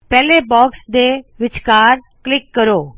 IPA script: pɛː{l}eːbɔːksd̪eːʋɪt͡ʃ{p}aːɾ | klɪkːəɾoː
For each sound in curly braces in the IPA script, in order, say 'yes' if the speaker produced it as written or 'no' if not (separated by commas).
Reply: yes, no